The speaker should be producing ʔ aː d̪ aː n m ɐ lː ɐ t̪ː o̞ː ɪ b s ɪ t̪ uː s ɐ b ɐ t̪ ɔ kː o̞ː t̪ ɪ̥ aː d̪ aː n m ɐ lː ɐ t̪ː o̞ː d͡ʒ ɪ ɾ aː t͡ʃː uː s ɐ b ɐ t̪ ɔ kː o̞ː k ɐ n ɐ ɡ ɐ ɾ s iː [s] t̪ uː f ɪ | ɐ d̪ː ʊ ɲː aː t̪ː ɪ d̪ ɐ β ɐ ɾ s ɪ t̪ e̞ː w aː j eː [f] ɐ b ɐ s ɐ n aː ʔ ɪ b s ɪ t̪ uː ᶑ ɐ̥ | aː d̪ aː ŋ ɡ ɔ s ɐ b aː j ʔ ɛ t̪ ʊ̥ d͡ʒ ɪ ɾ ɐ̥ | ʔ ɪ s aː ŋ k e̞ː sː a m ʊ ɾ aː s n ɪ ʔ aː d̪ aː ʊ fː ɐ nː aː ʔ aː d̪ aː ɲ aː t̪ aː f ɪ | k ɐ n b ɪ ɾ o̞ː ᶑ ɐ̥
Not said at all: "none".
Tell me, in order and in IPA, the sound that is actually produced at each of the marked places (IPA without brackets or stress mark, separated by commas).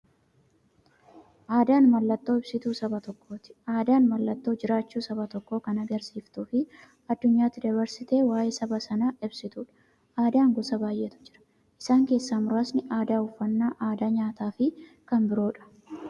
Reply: f, s